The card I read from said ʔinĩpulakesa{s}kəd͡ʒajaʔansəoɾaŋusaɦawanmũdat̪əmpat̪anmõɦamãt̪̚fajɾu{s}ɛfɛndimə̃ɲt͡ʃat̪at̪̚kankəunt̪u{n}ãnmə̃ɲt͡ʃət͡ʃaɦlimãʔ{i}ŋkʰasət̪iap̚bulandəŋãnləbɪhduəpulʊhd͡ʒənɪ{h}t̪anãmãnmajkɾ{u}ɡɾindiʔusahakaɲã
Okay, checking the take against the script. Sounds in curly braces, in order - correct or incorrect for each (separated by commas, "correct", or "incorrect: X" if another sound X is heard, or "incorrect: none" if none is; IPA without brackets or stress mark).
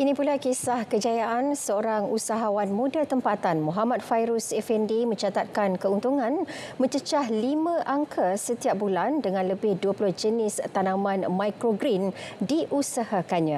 incorrect: h, correct, incorrect: ŋ, incorrect: a, incorrect: s, incorrect: o